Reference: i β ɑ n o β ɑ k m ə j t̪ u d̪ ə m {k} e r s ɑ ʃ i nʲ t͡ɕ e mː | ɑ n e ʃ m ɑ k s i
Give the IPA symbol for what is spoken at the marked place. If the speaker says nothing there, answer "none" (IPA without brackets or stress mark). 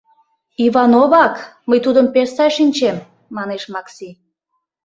p